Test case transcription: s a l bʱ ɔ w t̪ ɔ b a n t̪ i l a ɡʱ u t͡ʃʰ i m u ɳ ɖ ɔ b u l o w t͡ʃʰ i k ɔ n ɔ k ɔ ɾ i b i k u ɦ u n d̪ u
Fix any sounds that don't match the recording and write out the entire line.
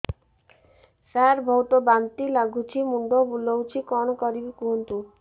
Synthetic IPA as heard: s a ɾ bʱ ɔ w t̪ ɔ b a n t̪ i l a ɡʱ u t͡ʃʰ i m u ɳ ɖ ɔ b u l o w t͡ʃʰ i k ɔ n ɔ k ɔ ɾ i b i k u ɦ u n t̪ u